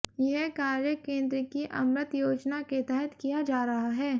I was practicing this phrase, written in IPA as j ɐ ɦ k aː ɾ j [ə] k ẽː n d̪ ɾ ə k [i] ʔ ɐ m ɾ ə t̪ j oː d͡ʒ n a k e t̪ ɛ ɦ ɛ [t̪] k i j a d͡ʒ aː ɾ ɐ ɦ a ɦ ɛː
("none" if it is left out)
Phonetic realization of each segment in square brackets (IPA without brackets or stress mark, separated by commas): ə, i, t̪